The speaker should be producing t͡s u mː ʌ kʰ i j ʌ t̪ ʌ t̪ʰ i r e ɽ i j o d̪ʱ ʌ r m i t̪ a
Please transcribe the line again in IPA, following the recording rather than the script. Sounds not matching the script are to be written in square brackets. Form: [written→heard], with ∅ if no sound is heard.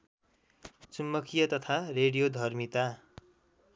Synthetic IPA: t͡s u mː ʌ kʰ i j ʌ t̪ ʌ t̪ʰ [i→a] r e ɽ i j o d̪ʱ ʌ r m i t̪ a